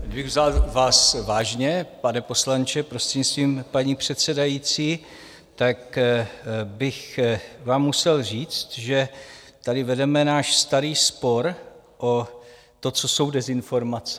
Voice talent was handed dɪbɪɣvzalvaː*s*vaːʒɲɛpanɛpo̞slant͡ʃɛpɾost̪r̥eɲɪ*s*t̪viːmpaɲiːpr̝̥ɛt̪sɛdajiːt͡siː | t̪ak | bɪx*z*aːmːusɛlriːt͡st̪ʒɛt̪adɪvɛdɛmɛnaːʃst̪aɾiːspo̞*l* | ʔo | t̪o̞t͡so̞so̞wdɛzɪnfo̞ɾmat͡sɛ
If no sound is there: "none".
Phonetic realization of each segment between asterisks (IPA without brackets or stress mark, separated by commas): s, s, v, ɾ